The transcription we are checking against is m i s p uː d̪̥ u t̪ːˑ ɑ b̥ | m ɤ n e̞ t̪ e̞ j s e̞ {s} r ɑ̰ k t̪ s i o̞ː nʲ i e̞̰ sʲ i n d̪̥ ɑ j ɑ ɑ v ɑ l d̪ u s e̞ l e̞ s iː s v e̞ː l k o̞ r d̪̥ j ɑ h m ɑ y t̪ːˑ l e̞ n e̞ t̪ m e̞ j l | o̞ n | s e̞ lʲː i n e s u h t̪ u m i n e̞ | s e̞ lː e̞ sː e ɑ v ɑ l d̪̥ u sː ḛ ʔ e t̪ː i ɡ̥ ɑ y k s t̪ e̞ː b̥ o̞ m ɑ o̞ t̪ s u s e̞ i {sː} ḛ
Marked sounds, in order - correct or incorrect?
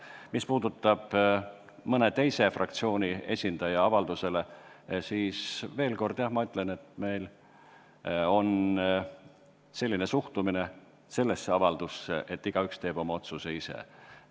incorrect: f, incorrect: s

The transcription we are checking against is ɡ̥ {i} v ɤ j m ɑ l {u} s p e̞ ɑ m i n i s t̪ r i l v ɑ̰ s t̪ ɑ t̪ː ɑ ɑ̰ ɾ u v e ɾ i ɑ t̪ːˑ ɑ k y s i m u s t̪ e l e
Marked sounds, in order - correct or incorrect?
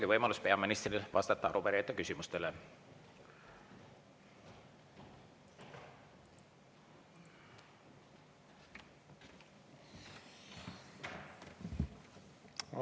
correct, correct

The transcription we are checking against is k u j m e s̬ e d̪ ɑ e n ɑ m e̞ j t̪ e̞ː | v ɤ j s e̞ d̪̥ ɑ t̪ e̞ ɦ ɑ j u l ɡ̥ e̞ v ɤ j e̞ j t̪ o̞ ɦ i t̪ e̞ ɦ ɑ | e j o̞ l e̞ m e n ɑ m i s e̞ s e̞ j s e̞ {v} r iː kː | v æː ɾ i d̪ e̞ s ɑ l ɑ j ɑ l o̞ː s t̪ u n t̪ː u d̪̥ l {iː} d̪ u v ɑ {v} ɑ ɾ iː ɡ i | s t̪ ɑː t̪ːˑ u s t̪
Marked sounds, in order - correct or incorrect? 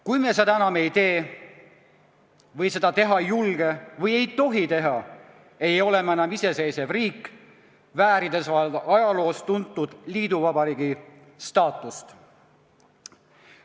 correct, correct, incorrect: b

